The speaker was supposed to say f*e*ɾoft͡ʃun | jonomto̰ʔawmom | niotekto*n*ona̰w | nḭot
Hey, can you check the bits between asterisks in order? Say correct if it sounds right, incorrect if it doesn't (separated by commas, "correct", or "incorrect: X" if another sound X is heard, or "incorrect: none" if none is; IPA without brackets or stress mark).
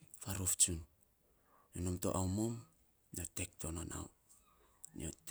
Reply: incorrect: a, correct